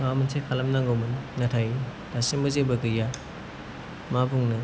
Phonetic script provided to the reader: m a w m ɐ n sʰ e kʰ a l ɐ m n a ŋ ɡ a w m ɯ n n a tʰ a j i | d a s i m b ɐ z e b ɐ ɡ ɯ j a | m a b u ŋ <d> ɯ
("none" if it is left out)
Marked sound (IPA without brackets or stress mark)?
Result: n